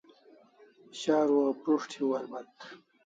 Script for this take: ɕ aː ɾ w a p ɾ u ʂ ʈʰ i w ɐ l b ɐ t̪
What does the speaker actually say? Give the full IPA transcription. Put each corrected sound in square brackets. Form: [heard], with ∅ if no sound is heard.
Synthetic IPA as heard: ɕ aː ɾ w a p ɾ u ʂ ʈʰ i w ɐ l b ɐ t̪